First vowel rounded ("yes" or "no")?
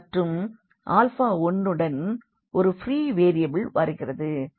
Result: no